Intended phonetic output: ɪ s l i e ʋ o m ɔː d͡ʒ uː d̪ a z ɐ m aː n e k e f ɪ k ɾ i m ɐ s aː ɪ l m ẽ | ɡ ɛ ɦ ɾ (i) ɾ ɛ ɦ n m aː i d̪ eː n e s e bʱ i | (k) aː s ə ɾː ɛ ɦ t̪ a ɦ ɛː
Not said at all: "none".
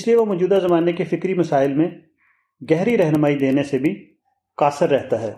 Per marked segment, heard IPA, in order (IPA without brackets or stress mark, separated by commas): i, k